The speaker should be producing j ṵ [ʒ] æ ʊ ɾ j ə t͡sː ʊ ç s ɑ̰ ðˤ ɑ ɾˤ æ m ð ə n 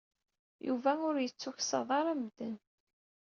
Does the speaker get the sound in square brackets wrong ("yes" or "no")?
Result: yes